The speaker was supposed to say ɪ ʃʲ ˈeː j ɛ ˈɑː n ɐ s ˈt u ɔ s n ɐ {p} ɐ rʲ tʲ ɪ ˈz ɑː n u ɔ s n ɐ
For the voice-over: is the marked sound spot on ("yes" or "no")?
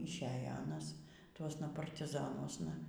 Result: yes